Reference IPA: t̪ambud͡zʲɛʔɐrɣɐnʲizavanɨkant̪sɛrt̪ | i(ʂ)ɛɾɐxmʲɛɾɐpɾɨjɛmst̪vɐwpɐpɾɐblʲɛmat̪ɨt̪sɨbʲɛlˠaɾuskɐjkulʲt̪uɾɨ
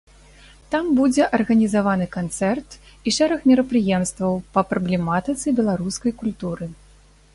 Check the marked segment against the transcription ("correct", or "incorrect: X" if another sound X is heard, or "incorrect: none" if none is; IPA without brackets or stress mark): correct